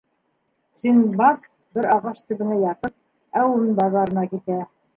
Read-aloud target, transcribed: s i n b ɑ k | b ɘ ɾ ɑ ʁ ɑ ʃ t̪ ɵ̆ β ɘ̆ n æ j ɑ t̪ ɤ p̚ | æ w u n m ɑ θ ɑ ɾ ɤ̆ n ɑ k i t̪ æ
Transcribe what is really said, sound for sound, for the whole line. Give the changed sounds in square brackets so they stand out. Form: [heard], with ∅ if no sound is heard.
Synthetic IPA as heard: s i n b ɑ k | b ɘ ɾ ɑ ʁ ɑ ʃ t̪ ɵ̆ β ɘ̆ n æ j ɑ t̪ ɤ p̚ | æ w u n [b] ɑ [ð] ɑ ɾ ɤ̆ n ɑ k i t̪ æ

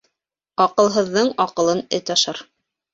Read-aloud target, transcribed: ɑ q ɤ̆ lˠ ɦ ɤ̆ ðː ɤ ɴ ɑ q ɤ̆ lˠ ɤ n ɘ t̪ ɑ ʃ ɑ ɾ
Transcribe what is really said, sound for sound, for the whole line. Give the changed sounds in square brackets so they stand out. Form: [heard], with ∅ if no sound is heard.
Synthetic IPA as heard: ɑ q ɤ̆ lˠ ɦ ɤ̆ ðː ɤ ɴ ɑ q ɤ̆ lˠ ɤ n ɘ t̪ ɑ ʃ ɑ ɾ

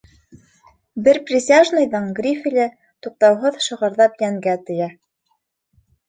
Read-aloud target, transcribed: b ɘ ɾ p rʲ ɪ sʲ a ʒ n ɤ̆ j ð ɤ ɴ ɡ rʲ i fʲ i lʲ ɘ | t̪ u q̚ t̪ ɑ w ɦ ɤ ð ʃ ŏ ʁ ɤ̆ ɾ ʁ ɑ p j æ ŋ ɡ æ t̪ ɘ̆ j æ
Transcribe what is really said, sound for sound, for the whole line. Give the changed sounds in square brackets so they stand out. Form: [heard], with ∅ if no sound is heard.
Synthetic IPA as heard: b ɘ ɾ p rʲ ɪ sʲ a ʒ n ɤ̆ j ð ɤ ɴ ɡ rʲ i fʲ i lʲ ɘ | t̪ u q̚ t̪ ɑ w ɦ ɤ ð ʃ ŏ ʁ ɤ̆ ɾ [ð] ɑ p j æ ŋ ɡ æ t̪ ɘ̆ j æ

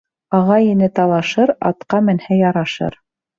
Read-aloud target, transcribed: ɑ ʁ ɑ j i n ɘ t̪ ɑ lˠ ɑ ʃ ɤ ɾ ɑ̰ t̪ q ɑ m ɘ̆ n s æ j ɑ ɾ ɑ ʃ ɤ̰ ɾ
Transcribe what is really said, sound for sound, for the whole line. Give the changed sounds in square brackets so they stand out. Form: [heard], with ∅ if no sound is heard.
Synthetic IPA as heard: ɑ ʁ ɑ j i n ɘ t̪ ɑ lˠ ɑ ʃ ɤ ɾ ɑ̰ t̪ q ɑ m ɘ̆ n [h] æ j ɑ ɾ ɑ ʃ ɤ̰ ɾ

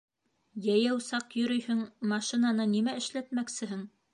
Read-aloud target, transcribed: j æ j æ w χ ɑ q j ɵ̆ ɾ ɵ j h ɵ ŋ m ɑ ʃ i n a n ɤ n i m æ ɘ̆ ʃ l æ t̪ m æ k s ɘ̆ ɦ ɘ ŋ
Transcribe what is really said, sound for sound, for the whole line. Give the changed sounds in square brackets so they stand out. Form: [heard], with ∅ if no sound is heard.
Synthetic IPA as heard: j æ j æ w [s] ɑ q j ɵ̆ ɾ ɵ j h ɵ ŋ m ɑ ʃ i n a n ɤ n i m æ ɘ̆ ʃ l æ t̪ m æ k s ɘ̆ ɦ ɘ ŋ

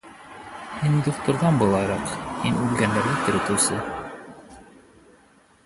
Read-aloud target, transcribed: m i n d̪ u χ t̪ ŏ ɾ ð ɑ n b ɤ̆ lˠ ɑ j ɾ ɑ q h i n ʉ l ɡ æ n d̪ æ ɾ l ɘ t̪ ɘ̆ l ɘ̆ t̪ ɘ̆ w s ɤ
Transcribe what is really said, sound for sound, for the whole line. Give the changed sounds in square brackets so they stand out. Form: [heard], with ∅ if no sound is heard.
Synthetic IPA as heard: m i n d̪ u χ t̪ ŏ ɾ ð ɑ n b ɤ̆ lˠ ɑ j ɾ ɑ q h i n ʉ l ɡ æ n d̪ æ ɾ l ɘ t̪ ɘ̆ [ɾ] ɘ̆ t̪ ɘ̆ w s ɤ

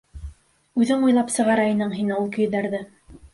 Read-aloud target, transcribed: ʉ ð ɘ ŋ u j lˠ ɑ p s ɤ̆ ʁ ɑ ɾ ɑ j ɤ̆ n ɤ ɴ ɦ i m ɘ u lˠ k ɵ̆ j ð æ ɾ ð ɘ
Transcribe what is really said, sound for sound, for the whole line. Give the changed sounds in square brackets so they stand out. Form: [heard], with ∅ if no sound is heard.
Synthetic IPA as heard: ʉ ð ɘ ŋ u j lˠ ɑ p s ɤ̆ ʁ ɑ ɾ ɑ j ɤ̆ n ɤ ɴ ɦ i [n] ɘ u lˠ k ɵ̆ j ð æ ɾ ð ɘ

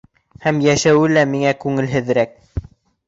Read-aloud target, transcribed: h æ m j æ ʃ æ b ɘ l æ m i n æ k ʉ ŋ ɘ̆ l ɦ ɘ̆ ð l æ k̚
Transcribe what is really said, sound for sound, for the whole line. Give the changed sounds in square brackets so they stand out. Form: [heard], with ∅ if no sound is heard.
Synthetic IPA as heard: h æ m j æ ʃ æ [w] ɘ l æ m i [ŋ] æ k ʉ ŋ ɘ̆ l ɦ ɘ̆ ð [ɾ] æ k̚

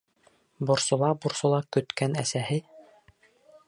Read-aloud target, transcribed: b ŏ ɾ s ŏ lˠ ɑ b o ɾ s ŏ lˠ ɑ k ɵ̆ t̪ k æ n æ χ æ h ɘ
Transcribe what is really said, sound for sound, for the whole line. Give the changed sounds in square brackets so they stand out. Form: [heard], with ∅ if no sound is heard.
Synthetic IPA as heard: b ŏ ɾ s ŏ lˠ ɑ b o ɾ s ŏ lˠ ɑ k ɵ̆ t̪ k æ n æ [s] æ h ɘ

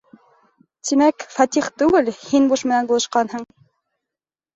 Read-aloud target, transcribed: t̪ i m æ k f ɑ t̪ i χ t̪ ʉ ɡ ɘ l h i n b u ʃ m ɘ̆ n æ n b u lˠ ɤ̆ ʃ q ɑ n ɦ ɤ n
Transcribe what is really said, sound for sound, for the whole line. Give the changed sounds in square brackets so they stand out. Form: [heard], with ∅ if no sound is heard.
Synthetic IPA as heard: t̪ i m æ k f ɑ t̪ i χ t̪ ʉ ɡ ɘ l h i n b u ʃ m ɘ̆ n æ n b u lˠ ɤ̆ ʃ q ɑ n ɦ ɤ [ɴ]

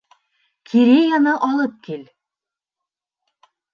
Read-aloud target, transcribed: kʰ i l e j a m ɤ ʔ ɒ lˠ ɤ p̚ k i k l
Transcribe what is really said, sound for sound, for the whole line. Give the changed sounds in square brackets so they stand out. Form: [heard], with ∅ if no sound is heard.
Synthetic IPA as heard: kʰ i [ɾ] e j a [n] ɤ ʔ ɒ lˠ ɤ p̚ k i [∅] l

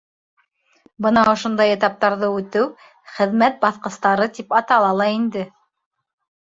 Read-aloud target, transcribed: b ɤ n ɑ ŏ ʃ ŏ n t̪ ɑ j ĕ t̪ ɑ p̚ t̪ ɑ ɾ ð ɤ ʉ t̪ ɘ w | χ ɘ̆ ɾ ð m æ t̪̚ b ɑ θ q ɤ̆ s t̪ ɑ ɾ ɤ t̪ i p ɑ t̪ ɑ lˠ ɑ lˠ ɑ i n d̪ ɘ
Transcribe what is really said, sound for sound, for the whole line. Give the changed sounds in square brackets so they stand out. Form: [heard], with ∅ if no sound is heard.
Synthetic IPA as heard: b ɤ n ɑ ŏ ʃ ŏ n [d̪] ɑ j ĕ t̪ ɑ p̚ t̪ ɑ ɾ ð ɤ ʉ t̪ ɘ w | χ ɘ̆ [∅] ð m æ t̪̚ b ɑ θ q ɤ̆ s t̪ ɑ ɾ ɤ t̪ i p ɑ t̪ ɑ lˠ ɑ lˠ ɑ i n d̪ ɘ

